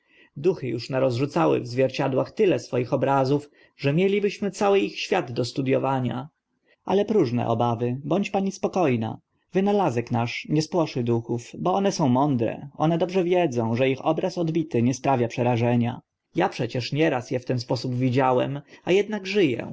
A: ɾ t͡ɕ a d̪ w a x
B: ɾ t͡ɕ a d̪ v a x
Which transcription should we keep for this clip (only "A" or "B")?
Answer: A